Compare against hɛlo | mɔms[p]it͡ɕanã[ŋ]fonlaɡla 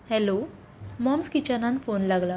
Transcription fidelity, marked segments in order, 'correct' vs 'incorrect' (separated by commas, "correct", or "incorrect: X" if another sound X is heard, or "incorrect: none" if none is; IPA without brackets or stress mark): incorrect: k, incorrect: n